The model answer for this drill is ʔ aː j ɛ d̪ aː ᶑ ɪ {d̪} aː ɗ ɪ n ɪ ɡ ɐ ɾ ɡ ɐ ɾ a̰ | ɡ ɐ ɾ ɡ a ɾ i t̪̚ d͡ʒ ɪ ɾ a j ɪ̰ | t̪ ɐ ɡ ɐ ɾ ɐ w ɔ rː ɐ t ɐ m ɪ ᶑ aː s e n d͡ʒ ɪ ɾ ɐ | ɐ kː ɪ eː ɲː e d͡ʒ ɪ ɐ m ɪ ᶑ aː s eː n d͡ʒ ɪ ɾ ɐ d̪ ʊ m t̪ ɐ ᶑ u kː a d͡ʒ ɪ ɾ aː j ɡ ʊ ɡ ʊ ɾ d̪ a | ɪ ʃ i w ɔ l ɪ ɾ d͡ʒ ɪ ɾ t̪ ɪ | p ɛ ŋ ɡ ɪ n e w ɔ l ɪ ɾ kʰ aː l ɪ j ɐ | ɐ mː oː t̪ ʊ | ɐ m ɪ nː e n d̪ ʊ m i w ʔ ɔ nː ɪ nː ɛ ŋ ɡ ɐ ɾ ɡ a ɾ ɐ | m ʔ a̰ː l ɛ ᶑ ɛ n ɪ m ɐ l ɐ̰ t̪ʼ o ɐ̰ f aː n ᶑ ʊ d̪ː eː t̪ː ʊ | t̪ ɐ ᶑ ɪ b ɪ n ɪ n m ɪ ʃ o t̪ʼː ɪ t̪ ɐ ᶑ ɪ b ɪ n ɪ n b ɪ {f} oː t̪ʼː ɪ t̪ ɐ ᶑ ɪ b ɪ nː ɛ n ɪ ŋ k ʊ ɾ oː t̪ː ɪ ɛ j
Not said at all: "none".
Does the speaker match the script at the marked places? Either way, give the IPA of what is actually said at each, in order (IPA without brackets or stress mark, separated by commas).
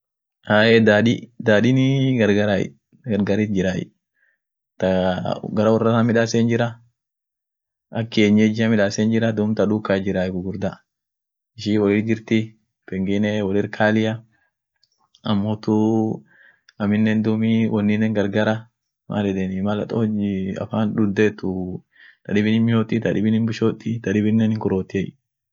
d̪, ʃ